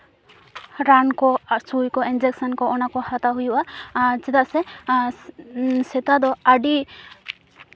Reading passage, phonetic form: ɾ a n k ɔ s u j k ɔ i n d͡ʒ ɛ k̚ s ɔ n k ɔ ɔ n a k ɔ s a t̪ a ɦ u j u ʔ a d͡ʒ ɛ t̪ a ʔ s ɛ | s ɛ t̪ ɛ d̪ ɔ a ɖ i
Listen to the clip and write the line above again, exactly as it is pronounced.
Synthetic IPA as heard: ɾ a n k ɔ s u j k ɔ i n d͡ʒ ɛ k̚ s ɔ n k ɔ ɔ n a k ɔ h a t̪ a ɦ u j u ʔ a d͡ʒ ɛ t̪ a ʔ s ɛ | s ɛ t̪ a d̪ ɔ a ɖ i